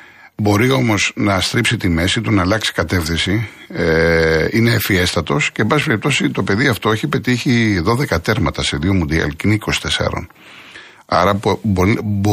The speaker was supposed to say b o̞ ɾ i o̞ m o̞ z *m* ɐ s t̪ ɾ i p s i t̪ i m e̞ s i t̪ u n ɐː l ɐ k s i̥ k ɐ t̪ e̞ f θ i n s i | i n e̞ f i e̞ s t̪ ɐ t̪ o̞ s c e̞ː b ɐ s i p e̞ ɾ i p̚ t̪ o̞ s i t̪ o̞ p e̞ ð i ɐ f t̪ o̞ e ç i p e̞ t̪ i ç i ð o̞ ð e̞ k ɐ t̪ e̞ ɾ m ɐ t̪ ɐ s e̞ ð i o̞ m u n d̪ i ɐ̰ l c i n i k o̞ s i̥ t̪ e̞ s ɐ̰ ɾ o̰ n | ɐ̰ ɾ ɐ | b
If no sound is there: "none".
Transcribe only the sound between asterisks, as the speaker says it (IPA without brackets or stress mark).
n